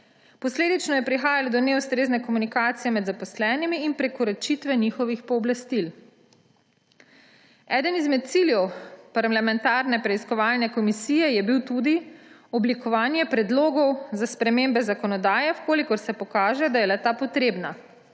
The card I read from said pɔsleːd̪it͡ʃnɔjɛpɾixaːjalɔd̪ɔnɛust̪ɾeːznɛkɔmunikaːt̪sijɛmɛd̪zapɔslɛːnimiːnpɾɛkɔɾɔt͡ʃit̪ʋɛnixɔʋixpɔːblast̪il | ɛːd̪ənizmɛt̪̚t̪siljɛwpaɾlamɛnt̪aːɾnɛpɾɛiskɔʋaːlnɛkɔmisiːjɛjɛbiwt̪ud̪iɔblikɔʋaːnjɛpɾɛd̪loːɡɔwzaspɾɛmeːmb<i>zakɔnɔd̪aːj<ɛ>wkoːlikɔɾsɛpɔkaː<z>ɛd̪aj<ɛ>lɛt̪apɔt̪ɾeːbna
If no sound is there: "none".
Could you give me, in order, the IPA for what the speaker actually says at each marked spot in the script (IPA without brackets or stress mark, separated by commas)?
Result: ɛ, ɛ, ʒ, ɛ